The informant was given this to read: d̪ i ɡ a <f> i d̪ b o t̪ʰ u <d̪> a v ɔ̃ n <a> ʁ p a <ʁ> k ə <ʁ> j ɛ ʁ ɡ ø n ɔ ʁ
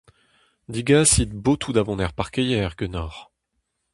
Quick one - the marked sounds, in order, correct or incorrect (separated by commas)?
incorrect, correct, incorrect, correct, incorrect